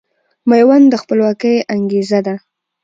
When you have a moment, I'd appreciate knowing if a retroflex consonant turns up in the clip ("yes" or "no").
no